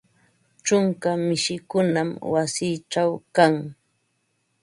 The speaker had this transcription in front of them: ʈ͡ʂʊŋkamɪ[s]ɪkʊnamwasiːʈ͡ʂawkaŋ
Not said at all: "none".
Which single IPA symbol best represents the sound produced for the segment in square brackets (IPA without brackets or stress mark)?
ʃ